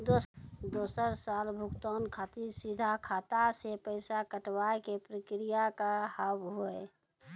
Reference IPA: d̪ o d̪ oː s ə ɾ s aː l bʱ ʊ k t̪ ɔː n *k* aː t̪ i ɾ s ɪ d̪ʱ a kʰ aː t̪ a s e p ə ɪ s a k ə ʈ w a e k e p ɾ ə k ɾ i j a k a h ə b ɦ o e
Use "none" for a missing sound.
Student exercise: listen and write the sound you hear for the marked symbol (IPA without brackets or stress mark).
kʰ